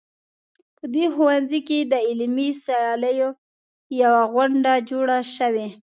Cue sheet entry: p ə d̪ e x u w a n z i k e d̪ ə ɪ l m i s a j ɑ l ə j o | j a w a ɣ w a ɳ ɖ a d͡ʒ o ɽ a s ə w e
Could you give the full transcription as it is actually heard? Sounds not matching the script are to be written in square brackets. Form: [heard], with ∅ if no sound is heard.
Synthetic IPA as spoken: p ə d̪ e x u w a n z i k e d̪ ə ɪ l m i s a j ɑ l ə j o | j a w a ɣ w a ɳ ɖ a d͡ʒ o ɽ a [ʃ] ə w e